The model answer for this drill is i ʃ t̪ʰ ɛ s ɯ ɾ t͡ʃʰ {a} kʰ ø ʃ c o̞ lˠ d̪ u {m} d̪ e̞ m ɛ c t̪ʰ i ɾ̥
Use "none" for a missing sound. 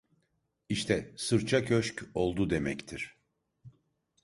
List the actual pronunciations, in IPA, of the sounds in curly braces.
a, none

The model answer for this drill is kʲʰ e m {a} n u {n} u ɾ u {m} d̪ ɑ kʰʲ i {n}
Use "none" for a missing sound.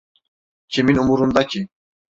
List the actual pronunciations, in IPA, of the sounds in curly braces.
i, m, n, none

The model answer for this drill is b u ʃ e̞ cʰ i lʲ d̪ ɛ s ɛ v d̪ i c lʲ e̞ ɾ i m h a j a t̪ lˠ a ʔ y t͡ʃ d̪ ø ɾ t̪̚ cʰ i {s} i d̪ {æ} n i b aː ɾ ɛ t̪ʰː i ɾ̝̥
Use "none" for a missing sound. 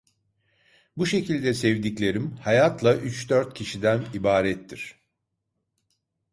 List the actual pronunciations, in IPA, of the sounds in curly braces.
ʃ, æ

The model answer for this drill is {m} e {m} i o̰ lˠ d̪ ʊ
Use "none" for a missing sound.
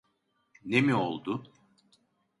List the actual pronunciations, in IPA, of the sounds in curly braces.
n, m

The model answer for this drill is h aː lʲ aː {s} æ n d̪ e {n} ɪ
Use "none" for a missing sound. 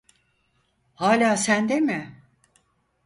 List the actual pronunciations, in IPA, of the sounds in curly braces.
s, m

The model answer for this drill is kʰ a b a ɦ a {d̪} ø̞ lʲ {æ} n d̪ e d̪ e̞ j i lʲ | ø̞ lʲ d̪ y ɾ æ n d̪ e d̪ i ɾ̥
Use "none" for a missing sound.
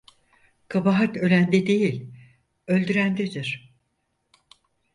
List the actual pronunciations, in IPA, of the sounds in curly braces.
t̪, æ

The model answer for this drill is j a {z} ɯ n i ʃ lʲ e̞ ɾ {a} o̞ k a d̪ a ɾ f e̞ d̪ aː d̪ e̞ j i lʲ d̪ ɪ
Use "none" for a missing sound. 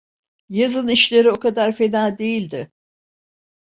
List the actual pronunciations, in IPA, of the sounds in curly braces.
z, i

